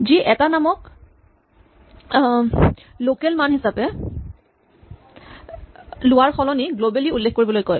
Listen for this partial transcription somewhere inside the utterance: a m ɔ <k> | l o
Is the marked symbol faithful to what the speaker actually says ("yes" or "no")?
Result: yes